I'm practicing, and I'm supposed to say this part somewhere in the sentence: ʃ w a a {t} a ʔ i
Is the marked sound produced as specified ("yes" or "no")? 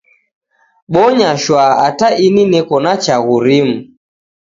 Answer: yes